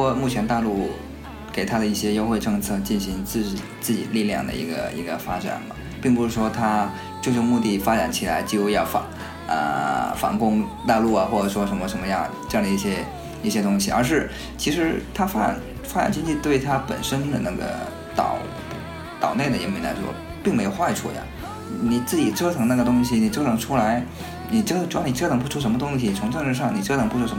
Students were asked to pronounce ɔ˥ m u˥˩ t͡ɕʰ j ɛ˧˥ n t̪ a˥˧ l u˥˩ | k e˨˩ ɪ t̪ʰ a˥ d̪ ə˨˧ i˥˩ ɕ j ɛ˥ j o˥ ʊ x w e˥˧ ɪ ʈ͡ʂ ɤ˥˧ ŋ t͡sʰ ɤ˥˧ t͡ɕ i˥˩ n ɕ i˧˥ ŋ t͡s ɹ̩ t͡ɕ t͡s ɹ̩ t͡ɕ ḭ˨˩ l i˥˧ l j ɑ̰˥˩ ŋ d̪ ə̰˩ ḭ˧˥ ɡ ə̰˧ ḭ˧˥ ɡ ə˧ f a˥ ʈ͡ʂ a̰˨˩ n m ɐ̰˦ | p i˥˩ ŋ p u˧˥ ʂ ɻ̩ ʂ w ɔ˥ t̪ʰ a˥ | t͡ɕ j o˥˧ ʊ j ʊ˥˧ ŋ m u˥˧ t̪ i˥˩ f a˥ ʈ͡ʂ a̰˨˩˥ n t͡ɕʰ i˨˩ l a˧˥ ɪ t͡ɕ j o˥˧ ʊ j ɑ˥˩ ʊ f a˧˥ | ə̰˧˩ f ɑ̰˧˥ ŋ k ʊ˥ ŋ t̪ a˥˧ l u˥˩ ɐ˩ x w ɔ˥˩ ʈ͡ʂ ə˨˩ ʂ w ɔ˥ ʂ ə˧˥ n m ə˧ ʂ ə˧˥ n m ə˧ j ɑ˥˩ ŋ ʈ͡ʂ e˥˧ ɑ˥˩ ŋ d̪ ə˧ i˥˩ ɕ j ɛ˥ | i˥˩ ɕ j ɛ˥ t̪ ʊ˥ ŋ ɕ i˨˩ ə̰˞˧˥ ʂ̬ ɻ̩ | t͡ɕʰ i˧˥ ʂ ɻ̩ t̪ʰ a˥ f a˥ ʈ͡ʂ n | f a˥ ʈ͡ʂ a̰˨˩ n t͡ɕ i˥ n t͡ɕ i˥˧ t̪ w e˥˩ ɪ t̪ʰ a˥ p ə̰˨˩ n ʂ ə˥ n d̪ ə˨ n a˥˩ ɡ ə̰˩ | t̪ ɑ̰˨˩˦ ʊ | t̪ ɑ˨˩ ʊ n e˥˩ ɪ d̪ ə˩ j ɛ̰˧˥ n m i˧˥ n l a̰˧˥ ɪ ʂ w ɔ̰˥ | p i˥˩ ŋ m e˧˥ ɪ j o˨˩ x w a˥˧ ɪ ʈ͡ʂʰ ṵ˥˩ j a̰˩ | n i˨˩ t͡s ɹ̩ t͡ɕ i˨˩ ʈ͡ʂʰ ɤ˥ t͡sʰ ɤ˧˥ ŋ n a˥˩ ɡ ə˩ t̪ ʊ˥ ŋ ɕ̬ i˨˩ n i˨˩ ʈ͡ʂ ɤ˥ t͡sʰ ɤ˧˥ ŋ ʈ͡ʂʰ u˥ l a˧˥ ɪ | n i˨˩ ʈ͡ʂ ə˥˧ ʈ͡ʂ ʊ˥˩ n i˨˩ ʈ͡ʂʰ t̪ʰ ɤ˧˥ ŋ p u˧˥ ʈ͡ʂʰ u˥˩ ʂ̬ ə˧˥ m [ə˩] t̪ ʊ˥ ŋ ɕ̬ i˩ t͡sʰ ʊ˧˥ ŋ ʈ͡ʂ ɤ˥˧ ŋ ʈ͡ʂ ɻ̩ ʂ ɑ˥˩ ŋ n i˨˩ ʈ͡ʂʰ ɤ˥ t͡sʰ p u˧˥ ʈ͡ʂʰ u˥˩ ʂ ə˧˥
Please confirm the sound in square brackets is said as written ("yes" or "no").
no